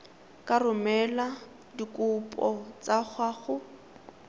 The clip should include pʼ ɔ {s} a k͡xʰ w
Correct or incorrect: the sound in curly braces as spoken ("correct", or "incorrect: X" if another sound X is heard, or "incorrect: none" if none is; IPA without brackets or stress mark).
incorrect: t͡s